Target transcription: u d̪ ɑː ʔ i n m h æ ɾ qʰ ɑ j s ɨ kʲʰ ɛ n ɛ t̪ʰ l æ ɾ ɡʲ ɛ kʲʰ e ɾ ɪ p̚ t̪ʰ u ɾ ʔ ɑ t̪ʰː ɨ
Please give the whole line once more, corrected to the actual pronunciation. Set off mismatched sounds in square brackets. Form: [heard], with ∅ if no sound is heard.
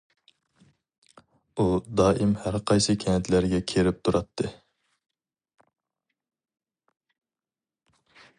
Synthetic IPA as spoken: u d̪ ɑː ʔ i [∅] m h æ ɾ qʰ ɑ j s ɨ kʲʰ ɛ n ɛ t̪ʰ l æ ɾ ɡʲ ɛ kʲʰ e ɾ ɪ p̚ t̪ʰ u ɾ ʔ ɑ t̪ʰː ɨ